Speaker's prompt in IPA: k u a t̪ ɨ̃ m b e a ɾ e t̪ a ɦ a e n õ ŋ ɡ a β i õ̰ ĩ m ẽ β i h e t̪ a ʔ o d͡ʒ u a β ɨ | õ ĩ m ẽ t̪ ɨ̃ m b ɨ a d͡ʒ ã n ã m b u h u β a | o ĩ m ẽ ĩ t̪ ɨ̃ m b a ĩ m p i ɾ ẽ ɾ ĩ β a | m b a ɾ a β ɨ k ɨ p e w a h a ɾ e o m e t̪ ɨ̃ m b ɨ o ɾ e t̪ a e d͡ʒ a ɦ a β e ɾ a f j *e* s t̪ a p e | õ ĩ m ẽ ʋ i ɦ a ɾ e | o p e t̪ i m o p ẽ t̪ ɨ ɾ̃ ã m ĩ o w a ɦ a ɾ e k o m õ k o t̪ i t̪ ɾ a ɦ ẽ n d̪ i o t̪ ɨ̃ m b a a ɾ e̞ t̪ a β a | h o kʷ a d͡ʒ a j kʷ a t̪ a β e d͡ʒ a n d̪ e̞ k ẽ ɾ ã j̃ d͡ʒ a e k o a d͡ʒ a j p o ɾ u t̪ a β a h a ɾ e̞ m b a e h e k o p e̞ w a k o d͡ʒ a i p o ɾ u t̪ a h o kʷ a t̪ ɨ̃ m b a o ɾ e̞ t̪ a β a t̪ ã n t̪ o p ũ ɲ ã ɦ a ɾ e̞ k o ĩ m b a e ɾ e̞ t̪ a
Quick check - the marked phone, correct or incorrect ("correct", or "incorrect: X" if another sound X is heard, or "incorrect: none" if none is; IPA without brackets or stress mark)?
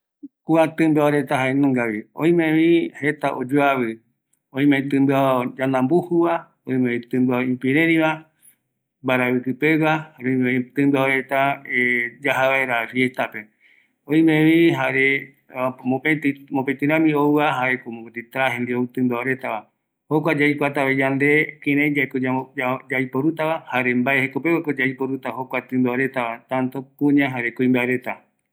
correct